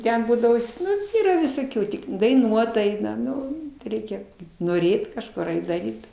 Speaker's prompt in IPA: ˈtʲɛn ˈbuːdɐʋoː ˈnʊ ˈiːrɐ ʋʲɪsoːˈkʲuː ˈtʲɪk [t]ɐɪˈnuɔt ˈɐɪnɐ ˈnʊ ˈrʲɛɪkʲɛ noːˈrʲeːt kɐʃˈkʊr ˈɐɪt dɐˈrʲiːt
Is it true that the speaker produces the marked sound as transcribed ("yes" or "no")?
no